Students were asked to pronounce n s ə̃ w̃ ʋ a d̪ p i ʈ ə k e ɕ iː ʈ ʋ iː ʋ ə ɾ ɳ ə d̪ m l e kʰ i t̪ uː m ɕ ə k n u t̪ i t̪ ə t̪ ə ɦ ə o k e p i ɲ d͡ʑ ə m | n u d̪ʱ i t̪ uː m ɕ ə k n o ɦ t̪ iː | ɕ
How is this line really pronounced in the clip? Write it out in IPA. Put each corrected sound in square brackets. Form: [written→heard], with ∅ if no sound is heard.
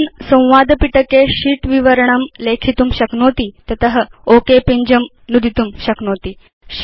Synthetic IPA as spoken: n s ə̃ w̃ ʋ a d̪ p i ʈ ə k e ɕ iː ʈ ʋ [iː→i] ʋ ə ɾ ɳ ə [d̪→∅] m l e kʰ i t̪ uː m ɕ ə k n [u→o] t̪ i t̪ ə t̪ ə ɦ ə o k e p i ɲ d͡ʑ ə m | n u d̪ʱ i t̪ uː m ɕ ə k n o [ɦ→∅] t̪ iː | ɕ